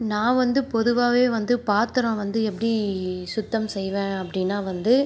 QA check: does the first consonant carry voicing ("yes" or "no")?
yes